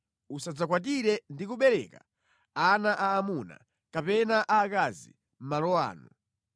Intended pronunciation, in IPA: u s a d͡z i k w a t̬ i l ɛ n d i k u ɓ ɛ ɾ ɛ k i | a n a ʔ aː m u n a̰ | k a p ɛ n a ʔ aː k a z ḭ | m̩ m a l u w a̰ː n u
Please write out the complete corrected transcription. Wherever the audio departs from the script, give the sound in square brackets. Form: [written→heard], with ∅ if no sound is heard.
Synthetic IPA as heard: u s a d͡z [i→a] k w a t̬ i [l→ɾ] ɛ n d i k u ɓ ɛ ɾ ɛ k [i→a] | a n a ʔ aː m u n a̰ | k a p ɛ n a ʔ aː k a z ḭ | m̩ m a l [u→ɔ] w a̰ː n u